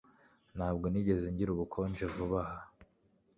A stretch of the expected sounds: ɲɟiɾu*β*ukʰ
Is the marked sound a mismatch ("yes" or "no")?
no